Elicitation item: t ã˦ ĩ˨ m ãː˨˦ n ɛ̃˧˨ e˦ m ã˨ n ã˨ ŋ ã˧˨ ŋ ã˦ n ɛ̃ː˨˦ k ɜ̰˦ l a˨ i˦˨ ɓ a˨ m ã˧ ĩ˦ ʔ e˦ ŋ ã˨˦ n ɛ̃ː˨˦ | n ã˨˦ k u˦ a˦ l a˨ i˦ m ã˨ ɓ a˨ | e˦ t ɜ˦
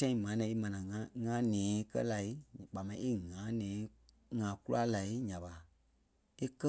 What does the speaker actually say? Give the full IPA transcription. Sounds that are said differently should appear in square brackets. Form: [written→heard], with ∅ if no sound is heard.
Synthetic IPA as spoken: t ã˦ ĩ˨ m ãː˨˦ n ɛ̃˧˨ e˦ m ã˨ n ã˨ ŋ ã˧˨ ŋ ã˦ n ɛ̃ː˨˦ k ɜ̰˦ l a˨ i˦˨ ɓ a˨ m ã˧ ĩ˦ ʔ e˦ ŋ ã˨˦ n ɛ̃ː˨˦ | [n→ŋ] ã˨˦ k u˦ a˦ l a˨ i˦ [m→ɲ] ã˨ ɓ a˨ | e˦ [t→k] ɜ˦

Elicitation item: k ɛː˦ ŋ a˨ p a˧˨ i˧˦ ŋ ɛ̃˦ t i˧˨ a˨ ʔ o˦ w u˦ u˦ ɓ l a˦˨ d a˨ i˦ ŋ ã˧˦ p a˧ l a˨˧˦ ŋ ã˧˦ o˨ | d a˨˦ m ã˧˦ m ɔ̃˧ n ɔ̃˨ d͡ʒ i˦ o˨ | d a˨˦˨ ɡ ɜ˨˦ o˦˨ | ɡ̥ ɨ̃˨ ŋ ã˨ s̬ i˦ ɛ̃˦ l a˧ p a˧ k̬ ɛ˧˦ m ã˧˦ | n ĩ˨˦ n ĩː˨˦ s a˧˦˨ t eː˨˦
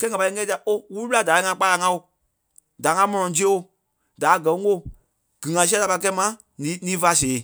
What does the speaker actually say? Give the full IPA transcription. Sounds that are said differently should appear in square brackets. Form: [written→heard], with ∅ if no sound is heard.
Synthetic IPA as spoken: k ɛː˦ ŋ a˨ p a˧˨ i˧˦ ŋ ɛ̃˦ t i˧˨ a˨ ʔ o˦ w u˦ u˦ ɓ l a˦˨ d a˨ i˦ ŋ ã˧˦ [p→k͡p] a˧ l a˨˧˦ ŋ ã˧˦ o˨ | d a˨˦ [m→ŋ] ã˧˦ m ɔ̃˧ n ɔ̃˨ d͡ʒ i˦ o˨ | d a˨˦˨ ɡ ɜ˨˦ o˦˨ | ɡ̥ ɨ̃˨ ŋ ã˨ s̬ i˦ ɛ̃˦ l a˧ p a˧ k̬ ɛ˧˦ m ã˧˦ | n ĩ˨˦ n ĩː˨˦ [s→f] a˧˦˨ [t→s] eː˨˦

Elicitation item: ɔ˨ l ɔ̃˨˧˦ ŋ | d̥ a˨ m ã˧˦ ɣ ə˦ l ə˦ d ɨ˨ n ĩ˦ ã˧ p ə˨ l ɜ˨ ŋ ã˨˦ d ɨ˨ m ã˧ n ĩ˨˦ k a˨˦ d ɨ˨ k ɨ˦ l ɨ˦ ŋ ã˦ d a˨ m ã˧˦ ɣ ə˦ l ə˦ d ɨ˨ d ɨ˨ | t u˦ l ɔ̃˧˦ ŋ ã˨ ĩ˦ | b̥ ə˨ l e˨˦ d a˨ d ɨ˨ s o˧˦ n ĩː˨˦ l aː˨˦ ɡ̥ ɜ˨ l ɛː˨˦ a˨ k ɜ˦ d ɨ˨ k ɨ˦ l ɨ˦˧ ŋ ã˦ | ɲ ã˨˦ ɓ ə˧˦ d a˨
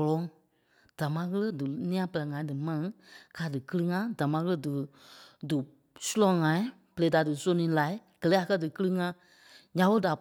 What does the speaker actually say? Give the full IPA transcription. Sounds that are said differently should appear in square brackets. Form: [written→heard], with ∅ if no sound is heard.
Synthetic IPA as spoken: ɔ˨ l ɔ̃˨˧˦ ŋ | d̥ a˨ m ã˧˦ ɣ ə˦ l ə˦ d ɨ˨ n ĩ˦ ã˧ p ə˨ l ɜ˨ ŋ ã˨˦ d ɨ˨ m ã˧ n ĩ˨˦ k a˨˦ d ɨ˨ k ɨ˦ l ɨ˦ ŋ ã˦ d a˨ m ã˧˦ ɣ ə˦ l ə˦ d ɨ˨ d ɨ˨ | [t→s] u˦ l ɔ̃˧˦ ŋ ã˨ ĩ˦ | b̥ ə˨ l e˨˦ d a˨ d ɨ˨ s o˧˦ n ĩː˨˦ l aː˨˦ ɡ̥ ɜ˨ l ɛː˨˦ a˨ k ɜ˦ d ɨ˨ k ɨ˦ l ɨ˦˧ ŋ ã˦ | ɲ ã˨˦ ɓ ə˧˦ d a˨

